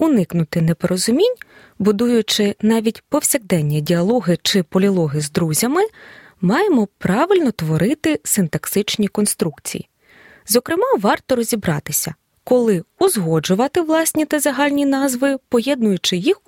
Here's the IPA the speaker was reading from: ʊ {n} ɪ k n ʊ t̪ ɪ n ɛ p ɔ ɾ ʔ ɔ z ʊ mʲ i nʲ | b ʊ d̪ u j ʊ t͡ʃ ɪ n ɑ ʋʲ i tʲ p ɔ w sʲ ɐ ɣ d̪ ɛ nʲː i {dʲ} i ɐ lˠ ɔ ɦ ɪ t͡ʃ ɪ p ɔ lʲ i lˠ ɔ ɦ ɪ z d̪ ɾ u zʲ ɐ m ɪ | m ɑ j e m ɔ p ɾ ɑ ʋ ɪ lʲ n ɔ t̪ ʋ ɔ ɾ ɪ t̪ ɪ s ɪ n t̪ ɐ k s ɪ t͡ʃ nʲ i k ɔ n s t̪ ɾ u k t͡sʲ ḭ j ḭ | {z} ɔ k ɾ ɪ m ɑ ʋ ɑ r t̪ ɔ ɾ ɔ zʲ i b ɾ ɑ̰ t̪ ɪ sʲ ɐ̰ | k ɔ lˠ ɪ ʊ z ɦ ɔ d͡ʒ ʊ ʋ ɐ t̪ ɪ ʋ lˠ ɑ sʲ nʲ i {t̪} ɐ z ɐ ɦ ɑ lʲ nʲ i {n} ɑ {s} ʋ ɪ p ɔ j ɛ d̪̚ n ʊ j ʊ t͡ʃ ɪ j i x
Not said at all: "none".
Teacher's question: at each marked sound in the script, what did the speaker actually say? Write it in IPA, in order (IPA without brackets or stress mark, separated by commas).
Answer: n, dʲ, z, t̪, n, z